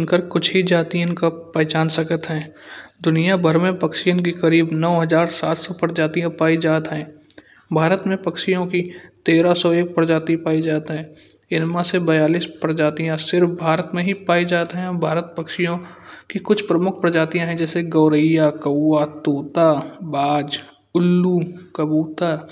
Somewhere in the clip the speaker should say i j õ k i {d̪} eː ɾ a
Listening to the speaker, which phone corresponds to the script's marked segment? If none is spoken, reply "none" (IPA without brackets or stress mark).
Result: t̪